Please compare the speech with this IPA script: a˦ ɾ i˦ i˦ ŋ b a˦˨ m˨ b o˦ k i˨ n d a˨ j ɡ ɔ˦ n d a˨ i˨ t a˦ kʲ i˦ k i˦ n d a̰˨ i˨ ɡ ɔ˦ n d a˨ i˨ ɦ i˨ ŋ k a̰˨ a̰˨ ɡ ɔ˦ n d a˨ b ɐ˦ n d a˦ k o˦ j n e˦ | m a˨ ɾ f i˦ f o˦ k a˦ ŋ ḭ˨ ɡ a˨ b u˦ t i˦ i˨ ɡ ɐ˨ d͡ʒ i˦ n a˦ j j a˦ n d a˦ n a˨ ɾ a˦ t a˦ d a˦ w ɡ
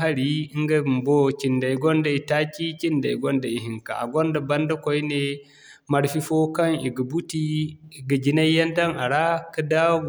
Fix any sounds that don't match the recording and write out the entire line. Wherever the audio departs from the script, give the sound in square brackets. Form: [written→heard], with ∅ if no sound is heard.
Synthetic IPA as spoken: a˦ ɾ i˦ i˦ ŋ [b→ɡ] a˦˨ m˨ b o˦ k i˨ n d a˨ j ɡ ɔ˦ n d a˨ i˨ t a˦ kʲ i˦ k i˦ n d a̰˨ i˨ ɡ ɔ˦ n d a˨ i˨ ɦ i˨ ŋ k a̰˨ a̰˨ ɡ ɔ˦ n d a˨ b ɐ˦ n d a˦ k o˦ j n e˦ | m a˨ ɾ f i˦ f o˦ k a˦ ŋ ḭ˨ ɡ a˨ b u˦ t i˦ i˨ ɡ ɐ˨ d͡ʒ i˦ n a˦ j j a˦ n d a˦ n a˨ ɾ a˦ [t→k] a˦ d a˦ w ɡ